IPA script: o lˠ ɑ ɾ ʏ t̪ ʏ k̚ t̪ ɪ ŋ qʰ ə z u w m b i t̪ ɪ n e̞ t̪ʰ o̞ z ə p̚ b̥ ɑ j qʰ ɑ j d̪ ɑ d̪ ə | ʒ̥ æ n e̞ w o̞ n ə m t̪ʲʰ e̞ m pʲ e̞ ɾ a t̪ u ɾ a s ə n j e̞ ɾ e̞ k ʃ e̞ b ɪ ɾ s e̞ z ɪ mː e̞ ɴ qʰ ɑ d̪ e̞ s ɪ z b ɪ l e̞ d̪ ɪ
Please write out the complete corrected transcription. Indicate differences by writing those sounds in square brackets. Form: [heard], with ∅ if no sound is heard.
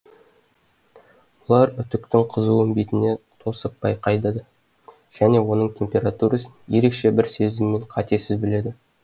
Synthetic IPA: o lˠ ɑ ɾ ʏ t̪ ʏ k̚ t̪ ɪ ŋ qʰ ə z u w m b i t̪ ɪ n e̞ t̪ʰ o̞ [s] ə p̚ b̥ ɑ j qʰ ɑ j d̪ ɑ d̪ ə | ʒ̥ æ n e̞ w o̞ n ə [ɴ] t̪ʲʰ e̞ m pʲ e̞ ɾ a t̪ u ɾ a s ə n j e̞ ɾ e̞ k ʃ e̞ b ɪ ɾ s e̞ z ɪ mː e̞ ɴ qʰ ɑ [t̪] e̞ s ɪ z b ɪ l e̞ d̪ ɪ